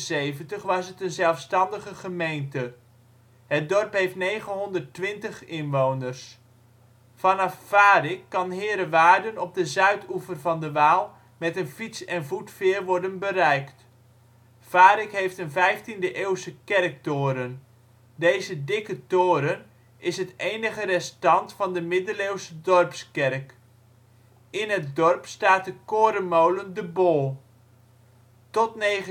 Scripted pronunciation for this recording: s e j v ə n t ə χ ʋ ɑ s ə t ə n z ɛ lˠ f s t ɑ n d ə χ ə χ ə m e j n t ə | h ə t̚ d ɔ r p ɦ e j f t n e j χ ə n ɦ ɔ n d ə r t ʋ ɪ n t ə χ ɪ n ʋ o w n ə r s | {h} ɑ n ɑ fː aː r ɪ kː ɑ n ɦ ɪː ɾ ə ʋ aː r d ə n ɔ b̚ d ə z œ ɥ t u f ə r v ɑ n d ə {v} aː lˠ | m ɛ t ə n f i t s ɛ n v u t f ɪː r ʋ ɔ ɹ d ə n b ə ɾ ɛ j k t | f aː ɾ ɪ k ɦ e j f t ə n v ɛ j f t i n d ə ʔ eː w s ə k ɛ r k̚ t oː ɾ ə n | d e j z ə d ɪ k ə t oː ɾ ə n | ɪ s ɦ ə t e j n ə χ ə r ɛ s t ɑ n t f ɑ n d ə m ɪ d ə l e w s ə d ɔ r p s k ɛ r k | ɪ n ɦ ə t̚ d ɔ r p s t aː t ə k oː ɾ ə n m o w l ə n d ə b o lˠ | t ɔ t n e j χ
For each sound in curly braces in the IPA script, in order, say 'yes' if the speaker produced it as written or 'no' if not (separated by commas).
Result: no, no